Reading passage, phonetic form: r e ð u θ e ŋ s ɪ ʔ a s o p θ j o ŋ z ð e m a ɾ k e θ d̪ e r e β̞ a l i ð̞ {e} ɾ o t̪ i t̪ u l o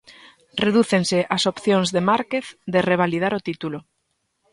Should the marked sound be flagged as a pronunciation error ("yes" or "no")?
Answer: yes